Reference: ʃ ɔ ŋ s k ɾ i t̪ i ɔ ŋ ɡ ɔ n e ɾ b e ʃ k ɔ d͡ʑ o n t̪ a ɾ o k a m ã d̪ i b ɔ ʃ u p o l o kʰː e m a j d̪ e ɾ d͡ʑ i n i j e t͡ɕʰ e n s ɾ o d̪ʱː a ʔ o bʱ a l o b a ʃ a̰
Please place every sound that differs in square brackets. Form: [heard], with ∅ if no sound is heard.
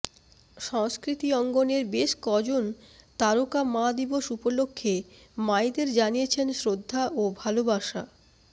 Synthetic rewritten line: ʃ ɔ ŋ s k ɾ i t̪ i ɔ ŋ ɡ [o] n e ɾ b e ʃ k ɔ d͡ʑ o n t̪ a ɾ o k a m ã d̪ i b [o] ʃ u p o l o kʰː e m a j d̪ e ɾ d͡ʑ [a] n i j e t͡ɕʰ e n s ɾ o d̪ʱː a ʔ o bʱ a l o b a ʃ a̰